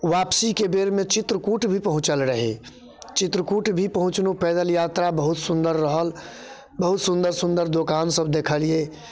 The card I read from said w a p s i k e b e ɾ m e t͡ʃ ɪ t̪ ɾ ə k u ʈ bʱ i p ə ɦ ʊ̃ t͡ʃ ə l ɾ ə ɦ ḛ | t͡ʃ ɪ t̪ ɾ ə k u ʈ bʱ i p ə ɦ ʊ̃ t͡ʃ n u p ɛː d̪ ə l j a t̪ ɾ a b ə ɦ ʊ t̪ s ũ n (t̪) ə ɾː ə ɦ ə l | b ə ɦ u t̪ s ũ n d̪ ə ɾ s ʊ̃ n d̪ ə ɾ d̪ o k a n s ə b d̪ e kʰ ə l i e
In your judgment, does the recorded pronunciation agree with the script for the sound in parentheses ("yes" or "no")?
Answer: no